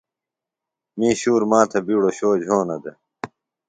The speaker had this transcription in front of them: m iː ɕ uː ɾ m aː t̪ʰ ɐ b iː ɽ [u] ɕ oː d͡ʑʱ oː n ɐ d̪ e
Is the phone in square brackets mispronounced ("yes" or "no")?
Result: yes